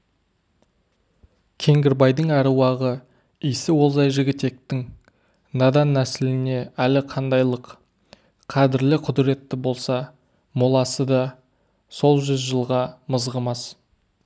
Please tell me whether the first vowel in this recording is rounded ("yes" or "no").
no